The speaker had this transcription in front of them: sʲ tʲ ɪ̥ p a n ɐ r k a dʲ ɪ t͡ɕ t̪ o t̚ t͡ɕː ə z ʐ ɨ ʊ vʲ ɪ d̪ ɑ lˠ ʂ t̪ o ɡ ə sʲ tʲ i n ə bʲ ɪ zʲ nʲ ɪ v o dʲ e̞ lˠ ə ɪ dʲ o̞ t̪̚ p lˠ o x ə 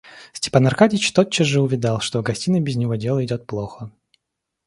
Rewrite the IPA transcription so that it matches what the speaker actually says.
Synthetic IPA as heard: sʲ tʲ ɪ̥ p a n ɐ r k a dʲ ɪ t͡ɕ t̪ o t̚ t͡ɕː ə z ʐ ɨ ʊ vʲ ɪ d̪ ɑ lˠ ʂ t̪ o ɡ ɐ sʲ tʲ i n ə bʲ ɪ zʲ nʲ ɪ v o dʲ e̞ lˠ ə ɪ dʲ o̞ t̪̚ p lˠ o x ə